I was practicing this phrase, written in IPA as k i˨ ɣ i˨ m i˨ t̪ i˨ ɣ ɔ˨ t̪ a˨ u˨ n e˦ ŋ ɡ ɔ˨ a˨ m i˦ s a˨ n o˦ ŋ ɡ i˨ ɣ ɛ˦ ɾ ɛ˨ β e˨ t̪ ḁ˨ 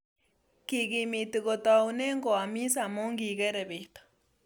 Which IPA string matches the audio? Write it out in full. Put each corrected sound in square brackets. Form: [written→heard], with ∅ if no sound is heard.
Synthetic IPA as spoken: k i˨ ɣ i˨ m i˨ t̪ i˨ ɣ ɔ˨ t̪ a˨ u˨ n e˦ ŋ ɡ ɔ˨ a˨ m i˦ s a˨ [n→m] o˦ ŋ ɡ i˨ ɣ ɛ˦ ɾ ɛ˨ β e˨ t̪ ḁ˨